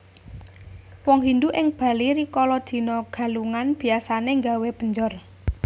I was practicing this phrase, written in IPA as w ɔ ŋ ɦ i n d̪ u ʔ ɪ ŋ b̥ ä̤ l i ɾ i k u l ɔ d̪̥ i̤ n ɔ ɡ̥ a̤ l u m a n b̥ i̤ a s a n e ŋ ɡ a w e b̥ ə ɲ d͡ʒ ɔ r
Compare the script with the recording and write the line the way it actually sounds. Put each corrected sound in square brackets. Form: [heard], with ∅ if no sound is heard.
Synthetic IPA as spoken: w ɔ ŋ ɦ i n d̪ u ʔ ɪ ŋ b̥ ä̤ l i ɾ i k [ɔ] l ɔ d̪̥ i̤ n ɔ ɡ̥ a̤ l u [ŋ] a n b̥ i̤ a s a n e ŋ ɡ a w e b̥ ə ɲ d͡ʒ ɔ r